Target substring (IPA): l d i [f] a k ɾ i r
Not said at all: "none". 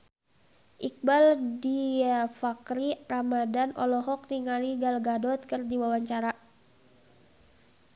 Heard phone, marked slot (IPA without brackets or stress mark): f